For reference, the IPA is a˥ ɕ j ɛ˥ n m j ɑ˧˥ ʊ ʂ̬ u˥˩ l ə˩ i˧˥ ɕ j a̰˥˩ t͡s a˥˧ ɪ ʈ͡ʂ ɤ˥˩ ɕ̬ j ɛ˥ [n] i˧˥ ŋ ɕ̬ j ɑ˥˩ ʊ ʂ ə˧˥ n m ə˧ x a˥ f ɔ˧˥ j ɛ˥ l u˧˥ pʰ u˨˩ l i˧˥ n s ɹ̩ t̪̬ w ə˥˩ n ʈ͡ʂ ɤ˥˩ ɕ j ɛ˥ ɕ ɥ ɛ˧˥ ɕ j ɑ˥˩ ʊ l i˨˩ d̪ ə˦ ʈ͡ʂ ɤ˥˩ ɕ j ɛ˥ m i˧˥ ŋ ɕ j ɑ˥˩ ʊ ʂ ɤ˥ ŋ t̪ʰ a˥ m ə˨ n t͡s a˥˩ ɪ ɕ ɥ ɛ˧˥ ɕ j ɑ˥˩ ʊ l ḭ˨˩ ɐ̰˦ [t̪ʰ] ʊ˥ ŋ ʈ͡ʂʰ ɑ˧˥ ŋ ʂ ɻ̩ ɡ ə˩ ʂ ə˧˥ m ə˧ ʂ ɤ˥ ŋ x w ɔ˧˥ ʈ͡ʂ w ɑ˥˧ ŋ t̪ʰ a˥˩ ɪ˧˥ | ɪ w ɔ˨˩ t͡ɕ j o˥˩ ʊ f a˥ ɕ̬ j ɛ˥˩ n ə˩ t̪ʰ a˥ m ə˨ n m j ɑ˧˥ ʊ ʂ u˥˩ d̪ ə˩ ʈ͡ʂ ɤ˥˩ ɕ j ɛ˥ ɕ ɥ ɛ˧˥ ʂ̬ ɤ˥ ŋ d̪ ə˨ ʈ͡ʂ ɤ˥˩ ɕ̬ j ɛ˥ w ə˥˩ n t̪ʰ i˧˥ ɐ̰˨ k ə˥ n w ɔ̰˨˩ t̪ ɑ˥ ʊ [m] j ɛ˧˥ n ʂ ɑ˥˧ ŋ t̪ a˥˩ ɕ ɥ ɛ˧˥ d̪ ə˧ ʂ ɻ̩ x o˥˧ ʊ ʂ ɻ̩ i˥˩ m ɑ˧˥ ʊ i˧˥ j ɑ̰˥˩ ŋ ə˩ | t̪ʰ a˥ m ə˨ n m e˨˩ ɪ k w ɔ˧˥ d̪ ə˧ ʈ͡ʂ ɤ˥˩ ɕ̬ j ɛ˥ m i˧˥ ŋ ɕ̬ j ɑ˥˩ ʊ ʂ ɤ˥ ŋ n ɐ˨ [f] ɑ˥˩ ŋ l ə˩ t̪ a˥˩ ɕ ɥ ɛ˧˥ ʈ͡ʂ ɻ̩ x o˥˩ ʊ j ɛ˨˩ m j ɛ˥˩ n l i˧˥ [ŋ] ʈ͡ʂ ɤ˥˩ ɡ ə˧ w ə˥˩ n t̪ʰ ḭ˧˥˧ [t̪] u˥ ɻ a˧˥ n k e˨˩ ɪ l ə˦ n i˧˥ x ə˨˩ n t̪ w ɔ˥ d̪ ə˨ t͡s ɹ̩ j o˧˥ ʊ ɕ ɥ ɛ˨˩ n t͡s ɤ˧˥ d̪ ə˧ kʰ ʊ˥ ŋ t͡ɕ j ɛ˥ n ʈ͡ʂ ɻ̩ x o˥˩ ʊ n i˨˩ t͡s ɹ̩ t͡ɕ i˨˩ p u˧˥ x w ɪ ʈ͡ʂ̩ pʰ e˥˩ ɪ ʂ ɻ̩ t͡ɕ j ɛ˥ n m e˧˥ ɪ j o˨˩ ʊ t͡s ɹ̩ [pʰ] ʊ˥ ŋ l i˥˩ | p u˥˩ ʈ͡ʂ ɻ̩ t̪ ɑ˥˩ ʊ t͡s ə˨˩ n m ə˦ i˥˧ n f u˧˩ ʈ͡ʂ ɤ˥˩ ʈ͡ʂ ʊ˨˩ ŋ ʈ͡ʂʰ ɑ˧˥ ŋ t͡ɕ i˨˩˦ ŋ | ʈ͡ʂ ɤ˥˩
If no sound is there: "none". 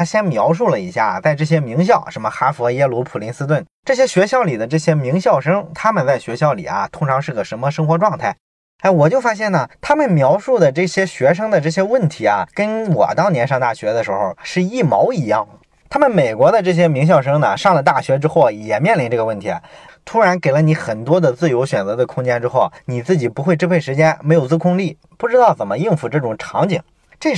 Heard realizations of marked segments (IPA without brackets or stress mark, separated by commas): m, t̪ʰ, n, ʂ, n, t̪ʰ, kʰ